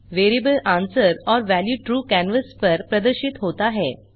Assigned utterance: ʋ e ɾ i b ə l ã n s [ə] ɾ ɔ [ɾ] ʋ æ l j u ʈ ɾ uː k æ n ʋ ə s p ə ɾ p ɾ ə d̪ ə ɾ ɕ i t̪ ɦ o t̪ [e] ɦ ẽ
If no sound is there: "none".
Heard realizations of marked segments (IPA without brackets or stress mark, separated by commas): ə, ɾ, a